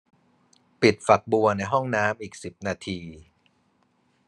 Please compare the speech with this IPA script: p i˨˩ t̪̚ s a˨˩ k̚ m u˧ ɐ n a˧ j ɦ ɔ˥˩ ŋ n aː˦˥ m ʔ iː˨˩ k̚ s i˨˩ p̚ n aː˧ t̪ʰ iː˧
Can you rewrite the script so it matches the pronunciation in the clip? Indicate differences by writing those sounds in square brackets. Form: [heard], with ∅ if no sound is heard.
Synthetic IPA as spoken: p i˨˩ t̪̚ [f] a˨˩ k̚ [b] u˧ ɐ n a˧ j ɦ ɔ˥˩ ŋ n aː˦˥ m ʔ iː˨˩ k̚ s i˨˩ p̚ n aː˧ t̪ʰ iː˧